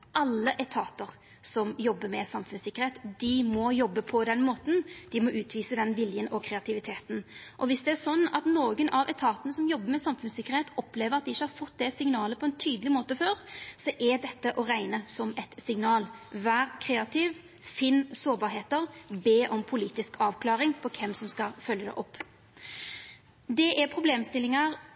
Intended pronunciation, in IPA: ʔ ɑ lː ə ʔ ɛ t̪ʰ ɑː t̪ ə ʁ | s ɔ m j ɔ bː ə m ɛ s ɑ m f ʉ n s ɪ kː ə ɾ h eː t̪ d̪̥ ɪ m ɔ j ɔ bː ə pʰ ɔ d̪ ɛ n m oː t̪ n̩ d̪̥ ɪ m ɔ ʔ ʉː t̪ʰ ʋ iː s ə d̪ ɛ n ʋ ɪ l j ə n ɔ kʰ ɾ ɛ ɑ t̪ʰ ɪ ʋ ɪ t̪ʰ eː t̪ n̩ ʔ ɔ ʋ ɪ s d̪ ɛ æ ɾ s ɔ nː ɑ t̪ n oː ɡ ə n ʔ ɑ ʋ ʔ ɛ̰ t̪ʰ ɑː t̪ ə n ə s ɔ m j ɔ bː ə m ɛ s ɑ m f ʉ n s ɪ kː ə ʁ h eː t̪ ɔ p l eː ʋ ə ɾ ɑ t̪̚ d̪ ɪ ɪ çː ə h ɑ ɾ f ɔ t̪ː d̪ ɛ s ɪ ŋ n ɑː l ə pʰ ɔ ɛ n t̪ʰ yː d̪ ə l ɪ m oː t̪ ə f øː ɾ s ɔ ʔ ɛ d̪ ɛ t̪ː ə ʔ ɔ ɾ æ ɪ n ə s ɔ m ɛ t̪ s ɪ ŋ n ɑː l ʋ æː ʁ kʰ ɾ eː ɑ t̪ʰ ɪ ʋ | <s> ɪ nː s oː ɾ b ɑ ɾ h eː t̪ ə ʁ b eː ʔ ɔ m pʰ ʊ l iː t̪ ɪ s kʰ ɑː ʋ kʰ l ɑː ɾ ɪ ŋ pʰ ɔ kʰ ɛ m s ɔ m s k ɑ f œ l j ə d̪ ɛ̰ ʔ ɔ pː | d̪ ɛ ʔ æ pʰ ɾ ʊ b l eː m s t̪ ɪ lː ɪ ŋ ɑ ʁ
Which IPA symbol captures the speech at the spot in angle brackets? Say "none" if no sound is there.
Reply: f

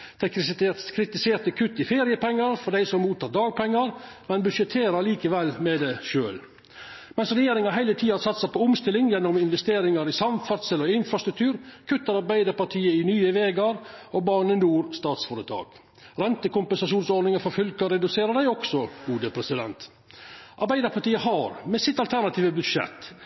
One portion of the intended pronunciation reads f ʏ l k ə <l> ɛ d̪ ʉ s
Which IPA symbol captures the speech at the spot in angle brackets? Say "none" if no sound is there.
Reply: ɾ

